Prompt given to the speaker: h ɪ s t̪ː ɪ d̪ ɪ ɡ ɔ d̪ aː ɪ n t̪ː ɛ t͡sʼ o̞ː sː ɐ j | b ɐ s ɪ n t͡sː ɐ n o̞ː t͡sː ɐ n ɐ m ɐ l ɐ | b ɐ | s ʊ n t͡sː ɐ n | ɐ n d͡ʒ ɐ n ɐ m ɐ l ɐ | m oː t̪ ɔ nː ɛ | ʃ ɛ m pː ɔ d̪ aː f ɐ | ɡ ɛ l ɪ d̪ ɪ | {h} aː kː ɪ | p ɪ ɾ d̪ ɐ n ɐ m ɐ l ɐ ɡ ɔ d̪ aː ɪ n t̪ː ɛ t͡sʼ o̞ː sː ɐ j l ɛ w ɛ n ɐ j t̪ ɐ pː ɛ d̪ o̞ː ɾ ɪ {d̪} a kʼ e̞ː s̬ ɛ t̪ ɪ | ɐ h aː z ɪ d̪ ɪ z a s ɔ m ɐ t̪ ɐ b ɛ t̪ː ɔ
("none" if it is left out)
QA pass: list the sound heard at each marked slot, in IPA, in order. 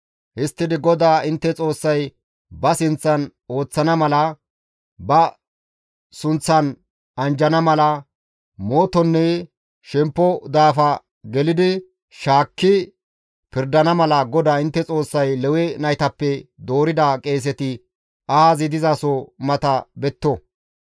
ʃ, d̪

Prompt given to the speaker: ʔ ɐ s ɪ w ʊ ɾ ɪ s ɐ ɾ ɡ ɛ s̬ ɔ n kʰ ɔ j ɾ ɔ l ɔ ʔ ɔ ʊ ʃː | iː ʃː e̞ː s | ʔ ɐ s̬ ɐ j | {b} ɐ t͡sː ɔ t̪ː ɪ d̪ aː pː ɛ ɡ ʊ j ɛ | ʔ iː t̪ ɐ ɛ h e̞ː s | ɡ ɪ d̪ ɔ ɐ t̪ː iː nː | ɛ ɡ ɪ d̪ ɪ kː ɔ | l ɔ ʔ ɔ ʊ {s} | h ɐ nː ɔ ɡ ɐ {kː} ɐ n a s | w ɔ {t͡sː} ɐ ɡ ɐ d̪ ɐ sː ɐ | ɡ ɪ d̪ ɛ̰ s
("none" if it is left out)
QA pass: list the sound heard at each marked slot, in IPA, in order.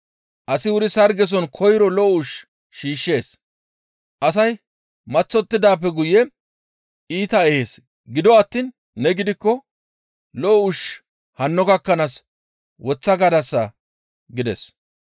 m, ʃ, kː, t͡sː

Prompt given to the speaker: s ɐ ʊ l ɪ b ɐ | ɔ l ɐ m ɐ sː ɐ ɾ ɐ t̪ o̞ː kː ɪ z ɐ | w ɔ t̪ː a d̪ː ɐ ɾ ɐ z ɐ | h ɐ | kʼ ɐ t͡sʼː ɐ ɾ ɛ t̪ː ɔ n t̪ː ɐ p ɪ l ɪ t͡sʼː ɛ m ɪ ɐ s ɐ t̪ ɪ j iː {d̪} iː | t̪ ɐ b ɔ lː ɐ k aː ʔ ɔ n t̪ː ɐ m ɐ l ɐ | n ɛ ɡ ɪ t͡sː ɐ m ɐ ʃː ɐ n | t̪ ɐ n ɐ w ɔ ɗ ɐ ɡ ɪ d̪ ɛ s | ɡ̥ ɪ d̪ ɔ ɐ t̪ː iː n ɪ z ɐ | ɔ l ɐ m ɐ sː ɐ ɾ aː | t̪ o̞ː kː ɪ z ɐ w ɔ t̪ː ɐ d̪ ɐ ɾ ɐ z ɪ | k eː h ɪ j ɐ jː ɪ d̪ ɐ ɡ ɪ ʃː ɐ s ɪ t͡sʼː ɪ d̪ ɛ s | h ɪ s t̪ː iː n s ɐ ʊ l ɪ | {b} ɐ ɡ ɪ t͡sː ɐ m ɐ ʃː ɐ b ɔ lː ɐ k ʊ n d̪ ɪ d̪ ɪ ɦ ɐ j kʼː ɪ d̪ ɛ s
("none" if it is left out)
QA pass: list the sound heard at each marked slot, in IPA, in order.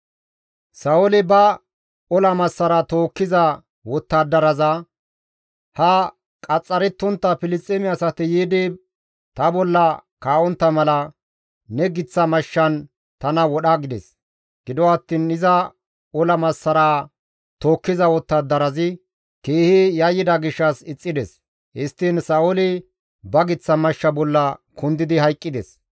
d̪, b

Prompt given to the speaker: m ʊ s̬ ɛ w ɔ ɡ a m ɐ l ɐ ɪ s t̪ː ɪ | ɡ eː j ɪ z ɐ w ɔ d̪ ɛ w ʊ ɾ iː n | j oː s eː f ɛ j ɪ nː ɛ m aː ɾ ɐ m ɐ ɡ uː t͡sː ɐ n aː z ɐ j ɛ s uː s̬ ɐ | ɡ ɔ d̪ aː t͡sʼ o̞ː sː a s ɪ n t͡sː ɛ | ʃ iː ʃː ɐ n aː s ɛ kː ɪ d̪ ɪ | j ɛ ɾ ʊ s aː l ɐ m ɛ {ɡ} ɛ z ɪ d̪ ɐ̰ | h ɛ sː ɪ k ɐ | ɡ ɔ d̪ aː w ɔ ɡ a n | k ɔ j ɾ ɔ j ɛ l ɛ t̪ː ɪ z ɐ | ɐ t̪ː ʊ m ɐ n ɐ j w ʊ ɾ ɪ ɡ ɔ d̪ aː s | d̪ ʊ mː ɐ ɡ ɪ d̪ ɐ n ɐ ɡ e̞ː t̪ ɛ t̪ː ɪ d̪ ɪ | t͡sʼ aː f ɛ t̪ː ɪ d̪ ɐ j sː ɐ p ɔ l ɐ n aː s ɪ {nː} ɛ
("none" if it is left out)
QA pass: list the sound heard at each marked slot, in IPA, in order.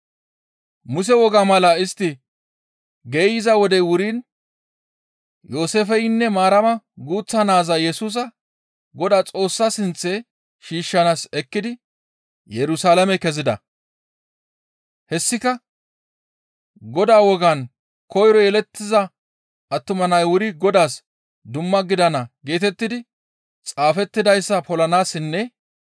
k, nː

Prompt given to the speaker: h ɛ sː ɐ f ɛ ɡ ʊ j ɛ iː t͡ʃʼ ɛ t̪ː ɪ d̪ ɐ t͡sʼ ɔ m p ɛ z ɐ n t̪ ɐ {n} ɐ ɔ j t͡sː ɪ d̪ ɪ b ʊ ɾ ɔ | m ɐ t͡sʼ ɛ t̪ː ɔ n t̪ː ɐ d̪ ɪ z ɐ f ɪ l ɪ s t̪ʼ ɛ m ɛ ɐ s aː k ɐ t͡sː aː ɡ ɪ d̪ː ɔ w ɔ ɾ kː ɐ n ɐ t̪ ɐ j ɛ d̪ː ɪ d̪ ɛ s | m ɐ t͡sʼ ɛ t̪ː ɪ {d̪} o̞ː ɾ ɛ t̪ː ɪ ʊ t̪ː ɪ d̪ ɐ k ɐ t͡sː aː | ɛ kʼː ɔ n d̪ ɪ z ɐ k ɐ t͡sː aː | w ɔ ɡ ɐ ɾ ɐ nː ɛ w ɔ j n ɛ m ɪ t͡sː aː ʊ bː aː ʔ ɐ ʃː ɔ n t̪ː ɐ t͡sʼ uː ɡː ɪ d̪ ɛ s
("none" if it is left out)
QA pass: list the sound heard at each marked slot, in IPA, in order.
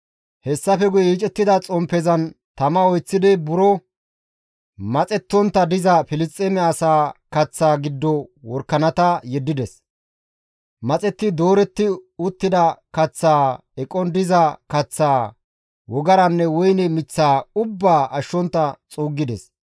m, d̪

